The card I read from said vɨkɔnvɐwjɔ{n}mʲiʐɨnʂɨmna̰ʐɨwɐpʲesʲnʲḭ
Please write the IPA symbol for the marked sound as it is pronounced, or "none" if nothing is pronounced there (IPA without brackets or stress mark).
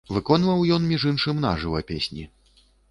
n